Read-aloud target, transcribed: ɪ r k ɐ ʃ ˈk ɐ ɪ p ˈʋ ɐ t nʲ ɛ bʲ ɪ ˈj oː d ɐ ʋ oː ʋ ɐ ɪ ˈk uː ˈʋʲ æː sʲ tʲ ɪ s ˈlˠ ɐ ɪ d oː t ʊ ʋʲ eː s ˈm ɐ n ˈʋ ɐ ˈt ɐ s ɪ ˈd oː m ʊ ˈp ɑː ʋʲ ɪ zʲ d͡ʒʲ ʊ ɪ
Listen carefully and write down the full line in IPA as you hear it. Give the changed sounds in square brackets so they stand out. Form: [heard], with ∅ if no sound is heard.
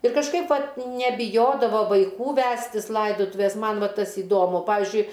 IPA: ɪ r k ɐ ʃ ˈk ɐ ɪ p ˈʋ ɐ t nʲ ɛ bʲ ɪ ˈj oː d ɐ ʋ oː ʋ ɐ ɪ ˈk uː ˈʋʲ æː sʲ tʲ ɪ s ˈlˠ ɐ ɪ d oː t ʊ ʋʲ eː s ˈm ɐ n ˈʋ ɐ ˈt ɐ s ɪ ˈd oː m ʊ ˈp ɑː ʋʲ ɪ zʲ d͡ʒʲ ʊ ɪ